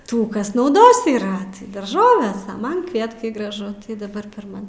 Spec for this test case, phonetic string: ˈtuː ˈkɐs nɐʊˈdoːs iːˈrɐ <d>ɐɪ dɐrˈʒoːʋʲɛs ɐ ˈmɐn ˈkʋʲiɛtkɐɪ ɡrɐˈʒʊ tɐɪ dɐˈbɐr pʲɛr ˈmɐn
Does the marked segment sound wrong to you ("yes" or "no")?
yes